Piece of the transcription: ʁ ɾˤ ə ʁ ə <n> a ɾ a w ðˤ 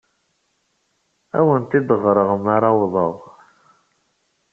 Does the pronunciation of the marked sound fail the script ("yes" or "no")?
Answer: yes